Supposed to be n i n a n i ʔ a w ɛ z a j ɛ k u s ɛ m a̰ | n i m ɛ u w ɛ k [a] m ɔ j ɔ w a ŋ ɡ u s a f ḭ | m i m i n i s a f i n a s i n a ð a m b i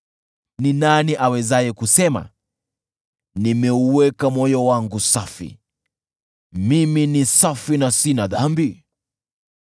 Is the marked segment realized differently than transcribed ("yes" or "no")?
no